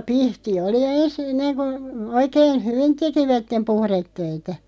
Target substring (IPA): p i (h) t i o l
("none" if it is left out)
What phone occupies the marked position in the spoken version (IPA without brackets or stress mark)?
h